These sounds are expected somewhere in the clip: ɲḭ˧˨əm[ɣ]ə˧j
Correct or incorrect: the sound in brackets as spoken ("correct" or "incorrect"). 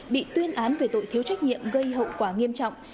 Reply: correct